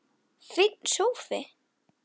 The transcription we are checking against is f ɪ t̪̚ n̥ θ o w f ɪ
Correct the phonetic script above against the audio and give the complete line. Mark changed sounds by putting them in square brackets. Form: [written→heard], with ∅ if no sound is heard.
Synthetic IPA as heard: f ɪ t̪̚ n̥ [θ→s] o w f ɪ